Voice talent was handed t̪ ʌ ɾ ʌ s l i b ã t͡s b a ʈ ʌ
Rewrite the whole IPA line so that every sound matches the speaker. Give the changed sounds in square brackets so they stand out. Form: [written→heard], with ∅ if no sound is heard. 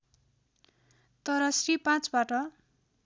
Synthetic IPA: t̪ ʌ ɾ ʌ s [l→r] i [b→p] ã t͡s b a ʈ ʌ